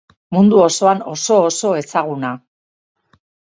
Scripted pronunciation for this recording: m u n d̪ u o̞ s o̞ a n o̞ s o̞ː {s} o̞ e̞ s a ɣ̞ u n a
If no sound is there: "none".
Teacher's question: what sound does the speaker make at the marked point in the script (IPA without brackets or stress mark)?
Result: s